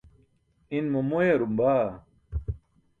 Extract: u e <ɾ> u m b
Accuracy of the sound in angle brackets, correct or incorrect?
correct